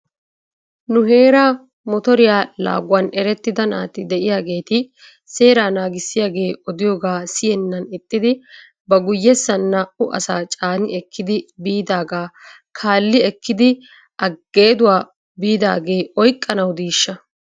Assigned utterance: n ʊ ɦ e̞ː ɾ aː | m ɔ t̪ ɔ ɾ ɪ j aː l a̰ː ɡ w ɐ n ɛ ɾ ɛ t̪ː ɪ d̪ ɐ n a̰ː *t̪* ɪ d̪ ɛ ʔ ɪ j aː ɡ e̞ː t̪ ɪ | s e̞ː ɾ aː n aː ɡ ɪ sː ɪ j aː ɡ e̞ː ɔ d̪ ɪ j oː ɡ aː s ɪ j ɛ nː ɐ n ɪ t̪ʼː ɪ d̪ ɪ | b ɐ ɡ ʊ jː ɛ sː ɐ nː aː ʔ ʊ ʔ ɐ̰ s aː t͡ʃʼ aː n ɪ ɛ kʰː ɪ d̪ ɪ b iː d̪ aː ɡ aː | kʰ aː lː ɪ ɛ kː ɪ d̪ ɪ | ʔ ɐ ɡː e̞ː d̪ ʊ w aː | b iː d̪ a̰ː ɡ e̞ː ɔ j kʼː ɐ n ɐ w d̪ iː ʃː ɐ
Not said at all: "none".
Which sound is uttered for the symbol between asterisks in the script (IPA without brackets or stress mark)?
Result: t̪